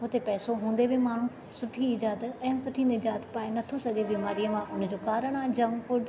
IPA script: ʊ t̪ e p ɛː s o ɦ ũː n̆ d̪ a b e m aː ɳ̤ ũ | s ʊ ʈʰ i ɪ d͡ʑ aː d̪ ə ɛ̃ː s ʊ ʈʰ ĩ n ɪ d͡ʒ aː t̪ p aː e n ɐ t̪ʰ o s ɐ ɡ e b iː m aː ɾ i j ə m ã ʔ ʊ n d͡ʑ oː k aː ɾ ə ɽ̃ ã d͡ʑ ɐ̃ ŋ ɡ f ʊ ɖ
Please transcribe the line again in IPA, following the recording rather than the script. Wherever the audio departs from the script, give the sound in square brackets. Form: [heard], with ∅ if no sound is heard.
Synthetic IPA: ʊ t̪ e p ɛː s o ɦ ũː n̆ d̪ [e] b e m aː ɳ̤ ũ | s ʊ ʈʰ i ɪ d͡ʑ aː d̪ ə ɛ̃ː s ʊ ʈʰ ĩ n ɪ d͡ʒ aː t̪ p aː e n ɐ t̪ʰ o s ɐ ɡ e b iː m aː ɾ i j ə m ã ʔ ʊ n d͡ʑ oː k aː ɾ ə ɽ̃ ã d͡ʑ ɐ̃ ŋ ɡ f ʊ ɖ